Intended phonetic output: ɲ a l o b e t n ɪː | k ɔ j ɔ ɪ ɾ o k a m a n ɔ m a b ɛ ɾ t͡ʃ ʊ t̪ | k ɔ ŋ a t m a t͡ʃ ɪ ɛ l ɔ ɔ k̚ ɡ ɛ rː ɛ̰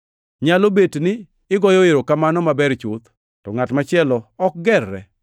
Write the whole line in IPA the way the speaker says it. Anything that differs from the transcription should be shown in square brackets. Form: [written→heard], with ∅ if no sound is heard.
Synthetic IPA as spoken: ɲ a l o b e t n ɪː | [k→ɡ] ɔ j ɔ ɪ ɾ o k a m a n ɔ m a b ɛ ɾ t͡ʃ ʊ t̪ | [k→t] ɔ ŋ a t m a t͡ʃ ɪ ɛ l ɔ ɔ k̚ ɡ ɛ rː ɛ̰